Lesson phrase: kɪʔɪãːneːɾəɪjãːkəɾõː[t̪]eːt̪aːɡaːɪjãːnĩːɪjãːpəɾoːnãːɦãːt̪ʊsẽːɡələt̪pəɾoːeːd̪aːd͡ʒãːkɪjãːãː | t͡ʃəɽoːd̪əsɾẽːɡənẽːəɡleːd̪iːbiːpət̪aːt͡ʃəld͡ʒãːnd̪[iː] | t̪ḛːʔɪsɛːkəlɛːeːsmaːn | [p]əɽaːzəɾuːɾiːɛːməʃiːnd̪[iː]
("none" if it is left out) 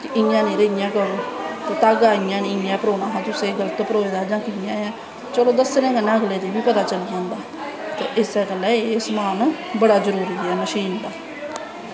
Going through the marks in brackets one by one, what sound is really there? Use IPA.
t̪, aː, b, aː

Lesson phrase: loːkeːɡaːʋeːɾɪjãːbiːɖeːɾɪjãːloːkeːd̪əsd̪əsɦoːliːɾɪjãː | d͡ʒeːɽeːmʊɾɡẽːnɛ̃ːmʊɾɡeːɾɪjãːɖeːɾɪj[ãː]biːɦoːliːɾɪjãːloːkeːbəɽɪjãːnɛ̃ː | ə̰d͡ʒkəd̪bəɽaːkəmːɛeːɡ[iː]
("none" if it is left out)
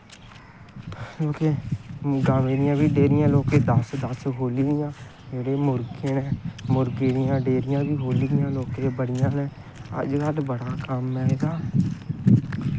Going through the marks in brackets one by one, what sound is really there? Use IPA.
ãː, aː

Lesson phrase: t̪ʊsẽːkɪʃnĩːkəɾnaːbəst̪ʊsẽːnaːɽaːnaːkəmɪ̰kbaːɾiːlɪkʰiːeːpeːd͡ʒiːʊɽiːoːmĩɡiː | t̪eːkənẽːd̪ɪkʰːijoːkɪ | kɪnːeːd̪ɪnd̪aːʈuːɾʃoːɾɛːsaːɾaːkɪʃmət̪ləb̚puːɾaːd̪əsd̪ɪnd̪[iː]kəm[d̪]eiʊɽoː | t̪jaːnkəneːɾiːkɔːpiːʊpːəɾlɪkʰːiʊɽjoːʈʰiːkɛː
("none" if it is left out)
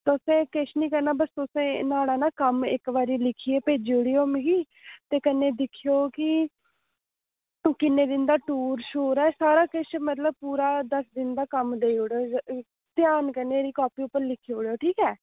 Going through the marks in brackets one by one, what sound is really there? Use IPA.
aː, d̪

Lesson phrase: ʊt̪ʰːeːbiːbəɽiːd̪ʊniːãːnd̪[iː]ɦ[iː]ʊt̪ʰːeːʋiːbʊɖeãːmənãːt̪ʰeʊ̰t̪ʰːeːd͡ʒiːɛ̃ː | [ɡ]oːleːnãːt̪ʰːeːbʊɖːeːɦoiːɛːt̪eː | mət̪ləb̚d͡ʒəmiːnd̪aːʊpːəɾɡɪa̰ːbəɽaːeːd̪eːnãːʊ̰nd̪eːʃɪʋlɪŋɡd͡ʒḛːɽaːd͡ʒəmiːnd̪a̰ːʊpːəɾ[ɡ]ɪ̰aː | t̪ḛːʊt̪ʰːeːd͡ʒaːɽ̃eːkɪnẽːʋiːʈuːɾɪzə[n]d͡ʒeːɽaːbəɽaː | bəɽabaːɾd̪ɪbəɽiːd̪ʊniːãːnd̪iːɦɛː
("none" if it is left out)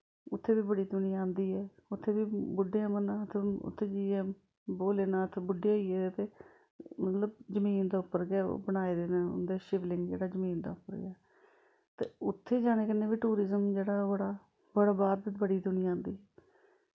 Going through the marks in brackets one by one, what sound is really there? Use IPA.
iː, ɛː, b, ɡ, m

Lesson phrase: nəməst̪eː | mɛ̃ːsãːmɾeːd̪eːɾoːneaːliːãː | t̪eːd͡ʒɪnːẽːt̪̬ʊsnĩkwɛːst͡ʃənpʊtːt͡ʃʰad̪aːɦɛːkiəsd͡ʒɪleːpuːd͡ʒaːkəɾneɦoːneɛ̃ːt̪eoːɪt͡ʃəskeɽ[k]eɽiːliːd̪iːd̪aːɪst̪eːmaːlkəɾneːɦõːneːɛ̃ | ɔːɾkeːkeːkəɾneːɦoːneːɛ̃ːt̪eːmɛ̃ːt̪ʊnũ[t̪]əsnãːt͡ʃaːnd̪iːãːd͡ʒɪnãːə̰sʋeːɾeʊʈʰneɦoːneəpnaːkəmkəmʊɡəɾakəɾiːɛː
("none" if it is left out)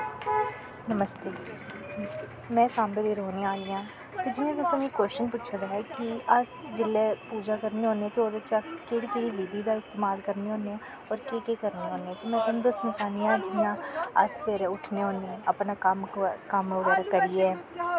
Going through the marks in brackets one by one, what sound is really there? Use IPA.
k, d̪

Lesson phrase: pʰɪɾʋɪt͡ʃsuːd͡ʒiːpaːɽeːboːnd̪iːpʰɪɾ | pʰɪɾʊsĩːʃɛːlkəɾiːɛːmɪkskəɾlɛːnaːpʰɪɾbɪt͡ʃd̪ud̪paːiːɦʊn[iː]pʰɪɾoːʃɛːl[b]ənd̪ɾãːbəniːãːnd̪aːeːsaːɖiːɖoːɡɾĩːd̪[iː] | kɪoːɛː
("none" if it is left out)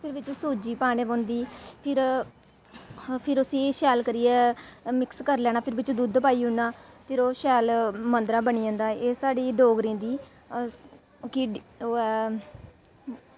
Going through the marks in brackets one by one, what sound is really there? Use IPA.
aː, m, iː

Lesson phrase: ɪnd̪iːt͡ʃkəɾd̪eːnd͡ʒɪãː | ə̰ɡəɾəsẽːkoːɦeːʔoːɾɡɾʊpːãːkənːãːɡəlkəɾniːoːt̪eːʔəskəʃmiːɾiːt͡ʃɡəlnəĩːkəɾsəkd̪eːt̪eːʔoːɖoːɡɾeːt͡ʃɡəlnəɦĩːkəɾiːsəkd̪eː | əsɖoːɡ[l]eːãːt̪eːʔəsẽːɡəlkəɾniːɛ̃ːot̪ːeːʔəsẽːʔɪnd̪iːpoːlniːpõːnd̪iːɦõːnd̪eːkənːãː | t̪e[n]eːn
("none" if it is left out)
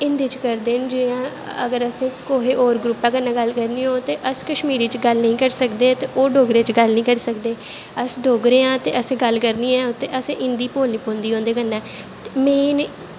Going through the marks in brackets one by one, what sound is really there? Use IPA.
ɾ, m

